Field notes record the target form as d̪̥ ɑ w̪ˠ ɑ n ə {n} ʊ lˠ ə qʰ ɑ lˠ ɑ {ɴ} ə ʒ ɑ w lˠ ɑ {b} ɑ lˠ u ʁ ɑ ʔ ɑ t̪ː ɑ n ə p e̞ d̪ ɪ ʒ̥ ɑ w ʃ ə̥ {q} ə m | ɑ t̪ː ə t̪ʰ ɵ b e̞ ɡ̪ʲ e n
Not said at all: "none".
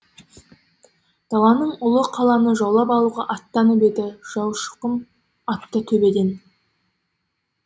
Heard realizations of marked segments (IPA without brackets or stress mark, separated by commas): ɴ, n, p, q